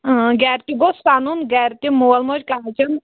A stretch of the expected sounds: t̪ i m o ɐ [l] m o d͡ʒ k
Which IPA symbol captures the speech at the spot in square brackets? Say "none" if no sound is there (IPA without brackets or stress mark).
l